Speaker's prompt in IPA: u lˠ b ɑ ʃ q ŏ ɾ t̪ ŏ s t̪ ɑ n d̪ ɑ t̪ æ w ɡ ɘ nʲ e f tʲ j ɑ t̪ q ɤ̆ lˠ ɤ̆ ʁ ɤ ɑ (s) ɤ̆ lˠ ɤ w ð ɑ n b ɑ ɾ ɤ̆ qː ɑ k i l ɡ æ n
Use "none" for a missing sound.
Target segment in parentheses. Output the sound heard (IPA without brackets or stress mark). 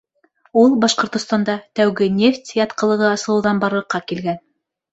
s